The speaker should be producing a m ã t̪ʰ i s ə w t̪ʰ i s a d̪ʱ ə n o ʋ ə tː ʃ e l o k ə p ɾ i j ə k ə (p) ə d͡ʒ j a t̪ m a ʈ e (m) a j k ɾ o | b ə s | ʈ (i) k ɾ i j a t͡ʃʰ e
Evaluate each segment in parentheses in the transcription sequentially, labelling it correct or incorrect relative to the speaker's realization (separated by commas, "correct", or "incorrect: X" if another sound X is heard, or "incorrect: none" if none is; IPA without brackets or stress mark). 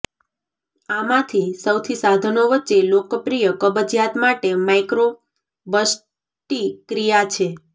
incorrect: b, correct, correct